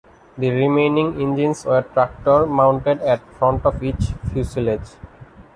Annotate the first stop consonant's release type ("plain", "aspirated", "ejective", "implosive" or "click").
plain